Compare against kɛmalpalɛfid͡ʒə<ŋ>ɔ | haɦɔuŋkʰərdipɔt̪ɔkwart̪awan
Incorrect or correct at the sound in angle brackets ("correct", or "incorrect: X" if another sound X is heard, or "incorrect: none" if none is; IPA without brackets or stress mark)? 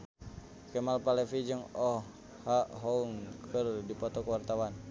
correct